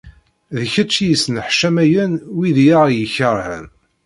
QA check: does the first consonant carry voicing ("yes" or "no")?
yes